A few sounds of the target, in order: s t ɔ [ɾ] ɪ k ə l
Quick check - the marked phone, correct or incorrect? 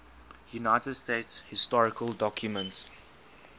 incorrect